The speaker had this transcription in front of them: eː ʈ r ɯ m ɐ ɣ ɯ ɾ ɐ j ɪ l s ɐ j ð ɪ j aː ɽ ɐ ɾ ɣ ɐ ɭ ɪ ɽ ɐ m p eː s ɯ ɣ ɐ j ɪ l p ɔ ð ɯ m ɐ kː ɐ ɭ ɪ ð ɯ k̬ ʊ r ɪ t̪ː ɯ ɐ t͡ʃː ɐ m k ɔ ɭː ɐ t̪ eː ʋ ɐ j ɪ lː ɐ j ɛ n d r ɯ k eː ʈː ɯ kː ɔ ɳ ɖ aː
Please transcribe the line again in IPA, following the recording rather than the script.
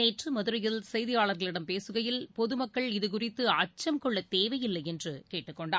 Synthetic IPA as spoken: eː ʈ r ɯ m ɐ ð ɯ ɾ ɐ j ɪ l s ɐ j ð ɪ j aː ɭ ɐ ɾ ɣ ɐ ɭ ɪ ɽ ɐ m p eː s ɯ ɣ ɐ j ɪ l p ɔ ð ɯ m ɐ kː ɐ ɭ ɪ ð ɯ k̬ ʊ r ɪ t̪ː ɯ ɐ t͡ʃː ɐ m k ɔ ɭː ɐ t̪ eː ʋ ɐ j ɪ lː ɐ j ɛ n d r ɯ k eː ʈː ɯ kː ɔ ɳ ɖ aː

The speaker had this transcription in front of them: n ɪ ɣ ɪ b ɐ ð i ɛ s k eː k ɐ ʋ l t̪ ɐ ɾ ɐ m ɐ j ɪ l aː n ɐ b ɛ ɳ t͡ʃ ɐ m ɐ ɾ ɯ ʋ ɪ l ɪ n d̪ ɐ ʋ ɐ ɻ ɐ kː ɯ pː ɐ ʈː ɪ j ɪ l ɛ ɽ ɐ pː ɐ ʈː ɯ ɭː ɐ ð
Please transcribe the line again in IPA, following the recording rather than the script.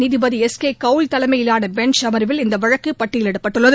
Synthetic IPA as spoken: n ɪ ð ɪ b ɐ ð i ɛ s k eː k ɐ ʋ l t̪ ɐ l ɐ m ɐ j ɪ l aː n ɐ b ɛ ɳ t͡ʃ ɐ m ɐ ɾ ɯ ʋ ɪ l ɪ n d̪ ɐ ʋ ɐ ɻ ɐ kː ɯ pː ɐ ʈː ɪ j ɪ l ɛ ɽ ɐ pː ɐ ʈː ɯ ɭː ɐ ð

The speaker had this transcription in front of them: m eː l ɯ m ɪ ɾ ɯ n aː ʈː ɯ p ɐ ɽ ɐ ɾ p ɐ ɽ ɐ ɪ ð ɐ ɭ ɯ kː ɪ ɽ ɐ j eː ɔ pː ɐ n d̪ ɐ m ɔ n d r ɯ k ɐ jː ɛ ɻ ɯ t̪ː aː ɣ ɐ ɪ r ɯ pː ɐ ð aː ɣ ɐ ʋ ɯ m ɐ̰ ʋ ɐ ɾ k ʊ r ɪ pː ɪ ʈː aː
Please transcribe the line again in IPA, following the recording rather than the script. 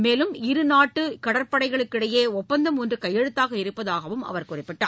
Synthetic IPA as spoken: m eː l ɯ m ɪ ɾ ɯ n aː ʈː ɯ k ɐ ɽ ɐ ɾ p ɐ ɽ ɐ ɪ ɣ ɐ ɭ ɯ kː ɪ ɽ ɐ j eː ɔ pː ɐ n d̪ ɐ m ɔ n d r ɯ k ɐ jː ɛ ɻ ɯ t̪ː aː ɣ ɐ ɪ ɾ ɯ pː ɐ ð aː ɣ ɐ ʋ ɯ m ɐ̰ ʋ ɐ ɾ k ʊ r ɪ pː ɪ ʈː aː

